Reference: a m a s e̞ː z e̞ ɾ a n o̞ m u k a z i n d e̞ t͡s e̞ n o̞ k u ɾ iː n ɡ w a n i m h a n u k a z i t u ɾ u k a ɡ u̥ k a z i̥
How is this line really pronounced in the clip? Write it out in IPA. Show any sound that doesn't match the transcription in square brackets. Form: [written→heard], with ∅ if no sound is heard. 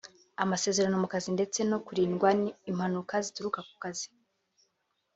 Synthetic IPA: a m a s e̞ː z e̞ ɾ a n o̞ m u k a z i n d e̞ t͡s e̞ n o̞ k u ɾ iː n ɡ w a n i m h a n u k a z i t u ɾ u k a [ɡ→k] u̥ k a z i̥

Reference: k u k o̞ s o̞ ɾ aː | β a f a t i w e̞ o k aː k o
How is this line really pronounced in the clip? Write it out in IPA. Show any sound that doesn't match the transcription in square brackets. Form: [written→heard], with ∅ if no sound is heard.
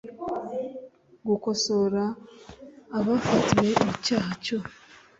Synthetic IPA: [k→ɡ] u k o̞ s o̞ ɾ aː | β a f a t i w e̞ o [k→c] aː [k→c] o

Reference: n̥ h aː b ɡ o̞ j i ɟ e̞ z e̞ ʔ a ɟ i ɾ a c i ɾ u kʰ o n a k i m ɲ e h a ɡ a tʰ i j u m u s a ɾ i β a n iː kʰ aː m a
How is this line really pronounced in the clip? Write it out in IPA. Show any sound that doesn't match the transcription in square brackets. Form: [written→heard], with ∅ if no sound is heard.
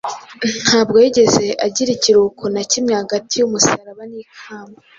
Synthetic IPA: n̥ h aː b ɡ o̞ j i ɟ e̞ z e̞ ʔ a ɟ i ɾ [a→i] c i ɾ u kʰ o n a [k→c] i m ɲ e h a ɡ a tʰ i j u m u s a ɾ [i→a] β a n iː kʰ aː m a

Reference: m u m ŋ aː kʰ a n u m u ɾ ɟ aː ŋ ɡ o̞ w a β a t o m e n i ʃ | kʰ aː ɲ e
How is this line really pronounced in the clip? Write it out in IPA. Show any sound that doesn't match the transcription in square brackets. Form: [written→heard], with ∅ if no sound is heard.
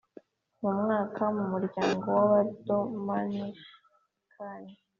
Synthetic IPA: m u m ŋ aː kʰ a [n→m] u m u ɾ ɟ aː ŋ ɡ o̞ w a β a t o m [e→a] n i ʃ | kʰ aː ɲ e

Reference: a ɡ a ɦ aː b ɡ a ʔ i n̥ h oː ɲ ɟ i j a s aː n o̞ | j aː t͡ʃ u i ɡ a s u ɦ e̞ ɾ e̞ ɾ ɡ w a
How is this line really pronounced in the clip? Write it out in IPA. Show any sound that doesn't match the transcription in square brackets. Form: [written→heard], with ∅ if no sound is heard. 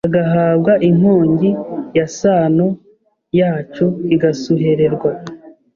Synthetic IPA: a ɡ a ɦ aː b ɡ a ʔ i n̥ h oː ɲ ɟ i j a s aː n o̞ | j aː t͡ʃ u i ɡ a s u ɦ e̞ ɾ e̞ ɾ ɡ w a

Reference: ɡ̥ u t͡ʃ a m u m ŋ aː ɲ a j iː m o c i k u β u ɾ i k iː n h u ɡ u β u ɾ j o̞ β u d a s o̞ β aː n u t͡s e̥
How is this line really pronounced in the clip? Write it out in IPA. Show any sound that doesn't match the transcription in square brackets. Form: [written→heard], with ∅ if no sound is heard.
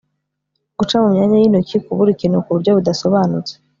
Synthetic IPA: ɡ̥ u t͡ʃ a m u m [ŋ→ɲ] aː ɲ a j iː [m→n] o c i k u β u ɾ i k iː n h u [ɡ→k] u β u ɾ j o̞ β u d a s o̞ β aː n u t͡s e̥

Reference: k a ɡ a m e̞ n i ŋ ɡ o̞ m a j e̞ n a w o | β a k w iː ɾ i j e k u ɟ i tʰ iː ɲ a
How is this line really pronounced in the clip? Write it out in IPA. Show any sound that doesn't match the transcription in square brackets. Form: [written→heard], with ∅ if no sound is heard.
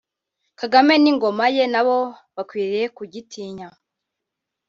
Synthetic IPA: k a ɡ a m e̞ n i ŋ ɡ o̞ m a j e̞ n a [w→β] o | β a k w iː ɾ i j e k u ɟ i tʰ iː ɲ a

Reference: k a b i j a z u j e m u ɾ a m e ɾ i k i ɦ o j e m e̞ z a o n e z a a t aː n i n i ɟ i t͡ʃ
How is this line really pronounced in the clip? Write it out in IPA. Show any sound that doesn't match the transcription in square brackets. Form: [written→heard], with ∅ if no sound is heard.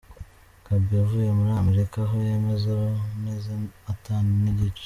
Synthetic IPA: k a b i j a [z→v] u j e m u ɾ a m e ɾ i k [i→a] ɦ o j e m e̞ z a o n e z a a t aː n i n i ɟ i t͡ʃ

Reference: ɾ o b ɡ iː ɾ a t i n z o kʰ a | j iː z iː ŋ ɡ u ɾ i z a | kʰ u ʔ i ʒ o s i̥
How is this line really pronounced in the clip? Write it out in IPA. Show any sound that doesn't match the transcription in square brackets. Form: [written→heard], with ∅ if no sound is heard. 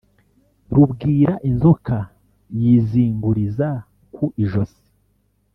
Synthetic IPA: ɾ [o→u] b ɡ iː ɾ a [t→ʔ] i n z o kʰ a | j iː z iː ŋ ɡ u ɾ i z a | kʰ u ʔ i ʒ o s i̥

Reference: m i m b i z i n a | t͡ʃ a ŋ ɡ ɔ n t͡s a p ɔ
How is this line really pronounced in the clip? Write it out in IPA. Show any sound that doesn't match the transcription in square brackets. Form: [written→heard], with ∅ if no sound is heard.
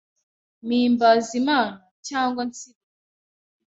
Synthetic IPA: m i m b [i→a] z i [n→m] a | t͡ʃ a ŋ ɡ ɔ n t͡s [a→i] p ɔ

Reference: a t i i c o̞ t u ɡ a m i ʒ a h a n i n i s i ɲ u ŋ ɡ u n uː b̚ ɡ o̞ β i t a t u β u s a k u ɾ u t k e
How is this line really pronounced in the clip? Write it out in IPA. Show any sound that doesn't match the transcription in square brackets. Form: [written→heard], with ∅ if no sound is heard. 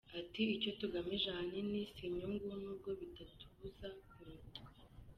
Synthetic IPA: a t i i c o̞ t u ɡ a m i ʒ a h a n i n i s i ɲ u ŋ ɡ u n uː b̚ ɡ o̞ β i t a t u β u [s→z] a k u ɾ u t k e

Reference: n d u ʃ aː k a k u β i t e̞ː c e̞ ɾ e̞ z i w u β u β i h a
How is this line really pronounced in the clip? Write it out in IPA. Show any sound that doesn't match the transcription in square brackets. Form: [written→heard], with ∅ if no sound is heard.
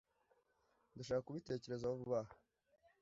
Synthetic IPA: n d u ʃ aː k a k u β i t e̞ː c e̞ ɾ e̞ z [i→a] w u β u β [i→a] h a

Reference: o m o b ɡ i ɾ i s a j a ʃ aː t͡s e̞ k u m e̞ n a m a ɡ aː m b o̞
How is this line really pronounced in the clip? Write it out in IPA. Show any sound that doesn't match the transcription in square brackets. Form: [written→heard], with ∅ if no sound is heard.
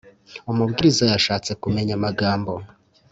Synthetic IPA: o m [o→u] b ɡ i ɾ i [s→z] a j a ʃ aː t͡s e̞ k u m e̞ [n→ɲ] a m a ɡ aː m b o̞

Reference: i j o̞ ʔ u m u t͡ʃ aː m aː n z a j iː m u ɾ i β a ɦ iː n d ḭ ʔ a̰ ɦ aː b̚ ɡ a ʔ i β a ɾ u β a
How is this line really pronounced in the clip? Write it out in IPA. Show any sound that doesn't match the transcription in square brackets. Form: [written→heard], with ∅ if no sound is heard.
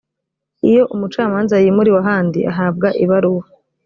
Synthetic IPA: i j o̞ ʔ u m u t͡ʃ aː m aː n z a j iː m u ɾ i [β→w] a ɦ [iː→aː] n d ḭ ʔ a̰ ɦ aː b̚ ɡ a ʔ i β a ɾ u [β→w] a

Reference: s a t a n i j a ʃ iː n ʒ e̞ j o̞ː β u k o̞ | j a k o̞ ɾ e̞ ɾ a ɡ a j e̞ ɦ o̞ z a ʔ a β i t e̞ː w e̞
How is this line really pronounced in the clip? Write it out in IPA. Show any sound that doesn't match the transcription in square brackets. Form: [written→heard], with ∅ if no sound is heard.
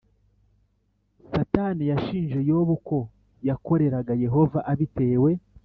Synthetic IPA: s a t a n i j a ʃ iː n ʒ e̞ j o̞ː β u k o̞ | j a k o̞ ɾ e̞ ɾ a ɡ a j e̞ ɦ o̞ [z→v] a ʔ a β i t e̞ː w e̞

